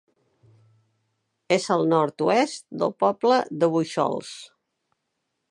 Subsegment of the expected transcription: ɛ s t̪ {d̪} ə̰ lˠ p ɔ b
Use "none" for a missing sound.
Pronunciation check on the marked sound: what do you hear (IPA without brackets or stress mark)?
d̪